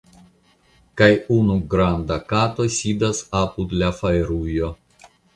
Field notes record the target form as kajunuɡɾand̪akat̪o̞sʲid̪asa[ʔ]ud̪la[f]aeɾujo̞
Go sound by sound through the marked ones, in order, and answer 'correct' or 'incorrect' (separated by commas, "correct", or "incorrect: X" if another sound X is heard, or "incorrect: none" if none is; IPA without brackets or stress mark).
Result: incorrect: p, correct